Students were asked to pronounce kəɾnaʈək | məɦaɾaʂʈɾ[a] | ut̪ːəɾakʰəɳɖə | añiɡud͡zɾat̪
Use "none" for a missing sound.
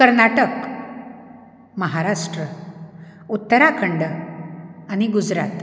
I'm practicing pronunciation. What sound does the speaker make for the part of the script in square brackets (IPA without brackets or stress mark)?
ə